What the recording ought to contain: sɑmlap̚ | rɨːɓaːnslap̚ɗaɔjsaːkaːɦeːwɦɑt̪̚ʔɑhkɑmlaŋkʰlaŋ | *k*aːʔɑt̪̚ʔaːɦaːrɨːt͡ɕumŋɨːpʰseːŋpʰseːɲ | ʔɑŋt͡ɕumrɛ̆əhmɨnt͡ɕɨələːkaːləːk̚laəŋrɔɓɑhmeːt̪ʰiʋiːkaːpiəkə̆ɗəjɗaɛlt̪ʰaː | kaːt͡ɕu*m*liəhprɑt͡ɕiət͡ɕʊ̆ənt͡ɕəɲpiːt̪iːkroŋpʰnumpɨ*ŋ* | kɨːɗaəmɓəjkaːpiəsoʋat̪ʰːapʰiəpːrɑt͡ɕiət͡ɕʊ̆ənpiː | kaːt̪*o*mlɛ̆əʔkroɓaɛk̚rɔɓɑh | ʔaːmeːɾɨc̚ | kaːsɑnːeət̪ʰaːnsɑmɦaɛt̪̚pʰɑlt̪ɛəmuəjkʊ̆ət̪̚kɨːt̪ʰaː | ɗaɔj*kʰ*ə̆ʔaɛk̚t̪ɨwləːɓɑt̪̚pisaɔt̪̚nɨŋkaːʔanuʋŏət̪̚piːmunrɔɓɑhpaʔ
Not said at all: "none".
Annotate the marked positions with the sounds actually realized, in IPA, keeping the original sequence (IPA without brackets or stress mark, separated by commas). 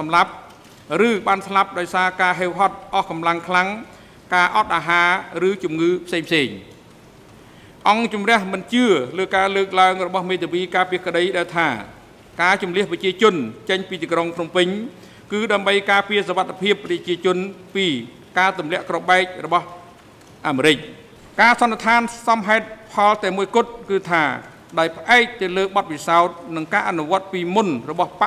k, m, ɲ, u, pʰ